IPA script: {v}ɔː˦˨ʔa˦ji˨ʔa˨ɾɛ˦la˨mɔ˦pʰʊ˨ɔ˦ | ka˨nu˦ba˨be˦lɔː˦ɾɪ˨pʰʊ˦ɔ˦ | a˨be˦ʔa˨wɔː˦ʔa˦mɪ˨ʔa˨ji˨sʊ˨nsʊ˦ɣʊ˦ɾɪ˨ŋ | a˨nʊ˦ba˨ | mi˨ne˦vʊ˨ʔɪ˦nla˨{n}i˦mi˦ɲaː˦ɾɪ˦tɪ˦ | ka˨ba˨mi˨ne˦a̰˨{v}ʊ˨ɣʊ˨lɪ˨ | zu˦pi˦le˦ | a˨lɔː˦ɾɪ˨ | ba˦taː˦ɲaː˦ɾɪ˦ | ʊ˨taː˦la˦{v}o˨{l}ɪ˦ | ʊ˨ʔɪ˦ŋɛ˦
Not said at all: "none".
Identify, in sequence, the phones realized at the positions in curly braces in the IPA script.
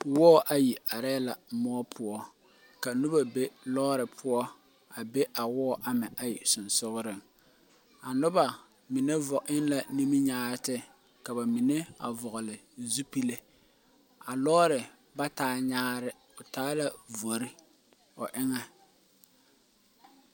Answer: w, n, v, v, ɾ

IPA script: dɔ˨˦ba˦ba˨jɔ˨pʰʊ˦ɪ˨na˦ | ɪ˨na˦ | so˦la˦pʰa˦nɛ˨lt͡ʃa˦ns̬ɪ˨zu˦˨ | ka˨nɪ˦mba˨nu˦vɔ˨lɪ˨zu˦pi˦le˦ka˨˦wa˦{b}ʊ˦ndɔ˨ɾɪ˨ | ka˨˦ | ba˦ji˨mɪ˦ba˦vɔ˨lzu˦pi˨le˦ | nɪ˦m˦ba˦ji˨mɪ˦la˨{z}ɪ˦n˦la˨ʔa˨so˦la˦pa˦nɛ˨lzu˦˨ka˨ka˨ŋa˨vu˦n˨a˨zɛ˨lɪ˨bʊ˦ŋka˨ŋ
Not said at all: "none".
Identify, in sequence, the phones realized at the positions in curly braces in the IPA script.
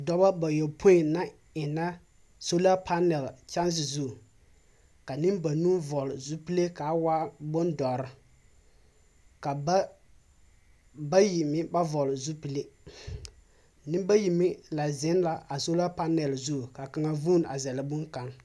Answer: b, z

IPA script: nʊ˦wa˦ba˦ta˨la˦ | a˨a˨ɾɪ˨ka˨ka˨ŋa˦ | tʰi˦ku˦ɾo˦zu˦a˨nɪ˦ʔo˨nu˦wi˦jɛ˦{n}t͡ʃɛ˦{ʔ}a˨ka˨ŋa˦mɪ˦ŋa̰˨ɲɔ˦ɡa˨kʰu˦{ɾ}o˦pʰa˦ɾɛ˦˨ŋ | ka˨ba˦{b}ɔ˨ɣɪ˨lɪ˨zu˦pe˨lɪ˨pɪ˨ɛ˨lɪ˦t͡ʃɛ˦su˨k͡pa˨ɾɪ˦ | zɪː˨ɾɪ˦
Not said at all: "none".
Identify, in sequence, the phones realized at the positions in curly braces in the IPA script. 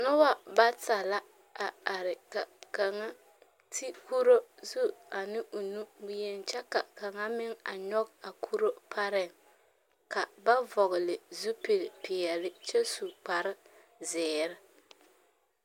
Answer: n, k, ɾ, v

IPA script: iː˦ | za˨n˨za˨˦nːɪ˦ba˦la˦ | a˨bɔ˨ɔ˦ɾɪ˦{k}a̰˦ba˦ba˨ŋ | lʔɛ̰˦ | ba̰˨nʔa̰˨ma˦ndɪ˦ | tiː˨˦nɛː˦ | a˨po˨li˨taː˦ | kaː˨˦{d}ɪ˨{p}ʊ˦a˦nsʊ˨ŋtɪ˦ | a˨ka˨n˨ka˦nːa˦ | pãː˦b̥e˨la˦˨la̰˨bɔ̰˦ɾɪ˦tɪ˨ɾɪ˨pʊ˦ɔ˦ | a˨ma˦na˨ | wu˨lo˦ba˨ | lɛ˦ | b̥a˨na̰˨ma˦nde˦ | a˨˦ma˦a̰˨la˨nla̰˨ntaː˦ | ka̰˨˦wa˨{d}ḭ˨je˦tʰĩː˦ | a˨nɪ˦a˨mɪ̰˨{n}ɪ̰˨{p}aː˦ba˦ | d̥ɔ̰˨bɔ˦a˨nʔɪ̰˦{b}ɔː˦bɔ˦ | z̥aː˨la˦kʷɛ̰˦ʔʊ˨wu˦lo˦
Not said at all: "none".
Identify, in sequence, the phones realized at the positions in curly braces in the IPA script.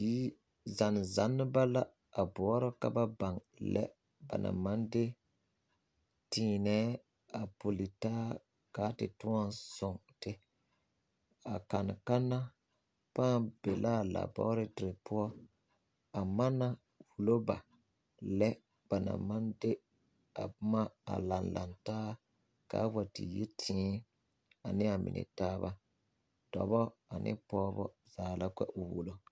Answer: k, t, t, t, n, t, p

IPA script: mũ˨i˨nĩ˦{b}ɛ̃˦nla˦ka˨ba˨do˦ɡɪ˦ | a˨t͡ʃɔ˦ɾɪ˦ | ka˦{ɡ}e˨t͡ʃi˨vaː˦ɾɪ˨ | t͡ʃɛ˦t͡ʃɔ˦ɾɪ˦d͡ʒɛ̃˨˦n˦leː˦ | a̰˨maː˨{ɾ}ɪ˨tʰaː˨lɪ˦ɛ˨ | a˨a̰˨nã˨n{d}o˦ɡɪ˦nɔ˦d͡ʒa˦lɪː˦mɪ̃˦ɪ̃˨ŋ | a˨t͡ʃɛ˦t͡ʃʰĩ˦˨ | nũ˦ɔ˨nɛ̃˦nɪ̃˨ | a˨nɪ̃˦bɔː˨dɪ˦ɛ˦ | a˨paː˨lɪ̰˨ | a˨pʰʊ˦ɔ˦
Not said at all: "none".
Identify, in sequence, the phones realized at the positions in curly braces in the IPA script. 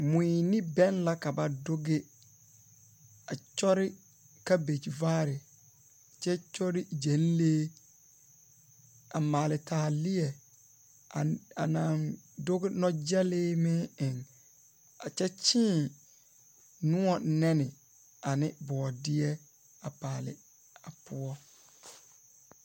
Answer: b, b, l, d

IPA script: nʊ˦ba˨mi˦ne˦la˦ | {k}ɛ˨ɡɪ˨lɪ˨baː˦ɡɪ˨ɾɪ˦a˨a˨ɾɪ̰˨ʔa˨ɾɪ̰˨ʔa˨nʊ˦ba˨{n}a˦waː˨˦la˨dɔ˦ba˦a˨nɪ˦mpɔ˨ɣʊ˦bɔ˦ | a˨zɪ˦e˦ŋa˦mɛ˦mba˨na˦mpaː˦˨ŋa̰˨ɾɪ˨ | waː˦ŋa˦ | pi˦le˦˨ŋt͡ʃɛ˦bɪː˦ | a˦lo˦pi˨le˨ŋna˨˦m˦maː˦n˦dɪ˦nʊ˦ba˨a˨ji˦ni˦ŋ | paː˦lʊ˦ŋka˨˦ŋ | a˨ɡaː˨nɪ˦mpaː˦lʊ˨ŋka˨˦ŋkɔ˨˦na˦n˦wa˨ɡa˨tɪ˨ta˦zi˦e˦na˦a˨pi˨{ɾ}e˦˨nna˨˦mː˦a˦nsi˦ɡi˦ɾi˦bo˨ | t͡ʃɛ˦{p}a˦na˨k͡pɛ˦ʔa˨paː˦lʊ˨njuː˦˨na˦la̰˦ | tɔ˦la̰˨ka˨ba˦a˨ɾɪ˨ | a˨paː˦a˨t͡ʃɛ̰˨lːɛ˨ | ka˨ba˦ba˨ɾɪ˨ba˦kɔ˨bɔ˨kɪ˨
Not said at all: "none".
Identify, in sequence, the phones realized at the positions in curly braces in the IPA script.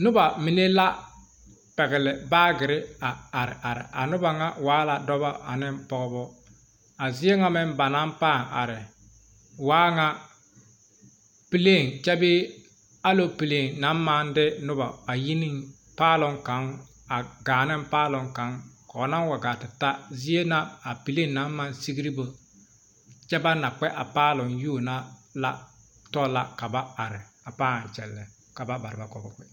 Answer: p, ŋ, l, b

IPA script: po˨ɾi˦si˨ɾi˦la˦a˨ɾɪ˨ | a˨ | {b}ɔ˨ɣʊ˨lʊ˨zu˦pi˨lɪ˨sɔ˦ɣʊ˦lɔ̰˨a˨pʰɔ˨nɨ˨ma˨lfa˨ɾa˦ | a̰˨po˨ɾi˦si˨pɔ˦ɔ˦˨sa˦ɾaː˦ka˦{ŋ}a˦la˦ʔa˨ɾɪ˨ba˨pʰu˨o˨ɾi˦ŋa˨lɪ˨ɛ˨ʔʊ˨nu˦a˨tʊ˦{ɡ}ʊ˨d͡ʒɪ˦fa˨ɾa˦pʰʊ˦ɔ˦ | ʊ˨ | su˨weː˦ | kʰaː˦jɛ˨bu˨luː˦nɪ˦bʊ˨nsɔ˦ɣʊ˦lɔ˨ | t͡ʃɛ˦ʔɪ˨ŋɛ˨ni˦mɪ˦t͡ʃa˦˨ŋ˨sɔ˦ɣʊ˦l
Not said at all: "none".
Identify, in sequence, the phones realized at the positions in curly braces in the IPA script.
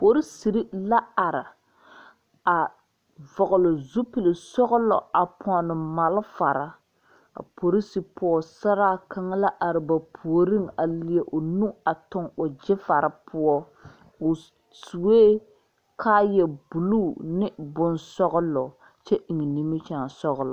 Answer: v, ŋ, ŋ

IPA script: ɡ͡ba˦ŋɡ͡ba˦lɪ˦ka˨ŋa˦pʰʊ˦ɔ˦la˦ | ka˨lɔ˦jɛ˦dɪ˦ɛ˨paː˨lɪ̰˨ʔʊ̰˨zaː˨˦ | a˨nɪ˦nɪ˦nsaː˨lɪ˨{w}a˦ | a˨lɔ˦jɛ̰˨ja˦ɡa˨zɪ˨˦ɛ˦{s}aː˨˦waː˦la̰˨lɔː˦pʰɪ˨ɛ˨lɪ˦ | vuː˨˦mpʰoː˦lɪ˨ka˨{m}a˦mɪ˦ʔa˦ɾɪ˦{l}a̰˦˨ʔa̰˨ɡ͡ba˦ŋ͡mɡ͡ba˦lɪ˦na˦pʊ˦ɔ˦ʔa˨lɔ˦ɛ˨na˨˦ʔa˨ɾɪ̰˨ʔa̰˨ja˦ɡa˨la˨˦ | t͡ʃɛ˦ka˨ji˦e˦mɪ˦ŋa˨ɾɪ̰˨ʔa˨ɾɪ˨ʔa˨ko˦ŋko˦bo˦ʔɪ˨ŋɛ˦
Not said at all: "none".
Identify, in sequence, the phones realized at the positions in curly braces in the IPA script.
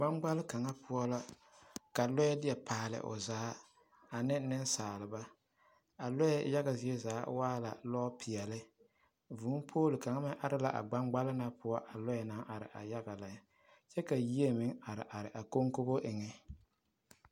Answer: b, z, ŋ, l

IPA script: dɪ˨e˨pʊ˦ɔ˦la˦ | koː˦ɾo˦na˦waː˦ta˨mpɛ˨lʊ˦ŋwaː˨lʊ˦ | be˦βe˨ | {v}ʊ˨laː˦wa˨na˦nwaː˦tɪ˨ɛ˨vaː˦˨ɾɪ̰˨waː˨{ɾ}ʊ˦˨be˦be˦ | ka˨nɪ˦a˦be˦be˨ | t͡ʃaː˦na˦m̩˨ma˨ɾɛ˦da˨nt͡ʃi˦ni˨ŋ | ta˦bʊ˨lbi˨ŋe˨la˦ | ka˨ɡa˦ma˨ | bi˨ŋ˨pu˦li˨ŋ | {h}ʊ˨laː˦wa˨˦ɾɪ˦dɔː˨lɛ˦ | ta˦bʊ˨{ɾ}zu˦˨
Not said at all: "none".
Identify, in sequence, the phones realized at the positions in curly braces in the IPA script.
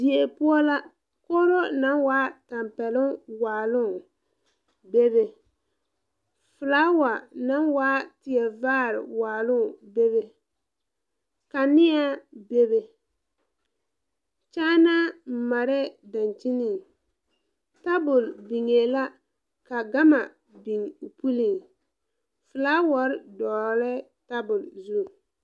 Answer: f, l, f, l

